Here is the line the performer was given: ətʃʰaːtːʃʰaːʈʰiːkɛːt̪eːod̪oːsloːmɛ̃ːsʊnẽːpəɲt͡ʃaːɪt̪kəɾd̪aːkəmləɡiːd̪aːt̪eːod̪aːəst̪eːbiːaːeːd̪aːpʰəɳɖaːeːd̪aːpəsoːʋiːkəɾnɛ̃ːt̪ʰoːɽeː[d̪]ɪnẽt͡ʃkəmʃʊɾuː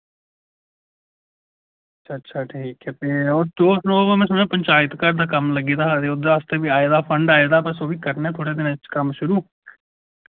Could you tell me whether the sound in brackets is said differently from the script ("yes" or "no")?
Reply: no